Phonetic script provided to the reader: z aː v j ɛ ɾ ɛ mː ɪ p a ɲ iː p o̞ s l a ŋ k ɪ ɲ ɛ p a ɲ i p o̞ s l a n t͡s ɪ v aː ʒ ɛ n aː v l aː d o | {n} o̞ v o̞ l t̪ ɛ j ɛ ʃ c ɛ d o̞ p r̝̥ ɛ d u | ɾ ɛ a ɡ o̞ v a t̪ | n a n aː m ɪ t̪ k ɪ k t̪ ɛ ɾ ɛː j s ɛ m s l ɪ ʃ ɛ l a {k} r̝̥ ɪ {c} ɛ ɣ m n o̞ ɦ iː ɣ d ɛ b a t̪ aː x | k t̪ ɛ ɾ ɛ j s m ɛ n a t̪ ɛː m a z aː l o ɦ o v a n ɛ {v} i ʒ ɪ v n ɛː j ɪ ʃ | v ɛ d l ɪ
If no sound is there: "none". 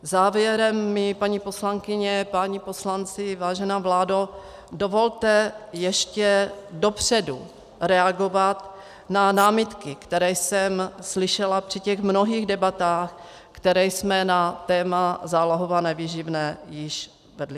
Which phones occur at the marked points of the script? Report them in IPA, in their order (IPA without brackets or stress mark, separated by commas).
d, p, c, v